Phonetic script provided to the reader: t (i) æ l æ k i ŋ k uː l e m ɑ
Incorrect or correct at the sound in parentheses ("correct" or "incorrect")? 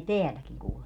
incorrect